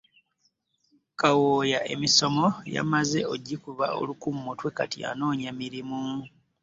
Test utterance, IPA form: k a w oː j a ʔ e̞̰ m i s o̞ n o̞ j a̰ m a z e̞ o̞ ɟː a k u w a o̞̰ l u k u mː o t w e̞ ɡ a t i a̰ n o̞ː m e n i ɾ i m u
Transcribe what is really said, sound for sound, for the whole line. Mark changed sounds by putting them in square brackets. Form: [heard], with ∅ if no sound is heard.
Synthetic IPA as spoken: k a w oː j a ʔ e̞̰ m i s o̞ [m] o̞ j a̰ m a z e̞ o̞ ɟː [i] k u [β] a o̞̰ l u k u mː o t w e̞ [k] a t i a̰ n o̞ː [ɲ] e [m] i ɾ i m u